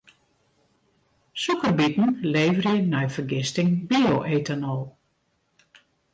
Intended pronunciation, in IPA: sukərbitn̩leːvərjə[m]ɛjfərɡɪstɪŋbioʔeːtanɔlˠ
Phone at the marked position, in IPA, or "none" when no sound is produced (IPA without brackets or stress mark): n